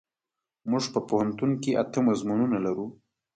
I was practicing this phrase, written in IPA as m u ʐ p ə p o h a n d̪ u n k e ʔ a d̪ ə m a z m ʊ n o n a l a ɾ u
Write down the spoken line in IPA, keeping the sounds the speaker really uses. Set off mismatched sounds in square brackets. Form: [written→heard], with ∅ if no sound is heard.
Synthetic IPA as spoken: m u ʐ p ə p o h a n [d̪→t̪] u n k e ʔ a [d̪→t̪] ə m a z m [ʊ→u] n [o→u] n a l a ɾ u